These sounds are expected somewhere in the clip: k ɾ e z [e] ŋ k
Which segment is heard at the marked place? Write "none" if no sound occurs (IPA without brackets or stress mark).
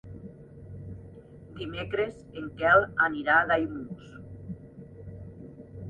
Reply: e